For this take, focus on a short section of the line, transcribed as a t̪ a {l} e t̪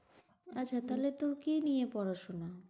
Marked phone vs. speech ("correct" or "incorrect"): correct